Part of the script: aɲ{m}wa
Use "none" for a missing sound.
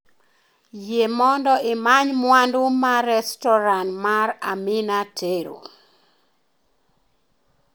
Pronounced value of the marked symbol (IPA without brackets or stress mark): m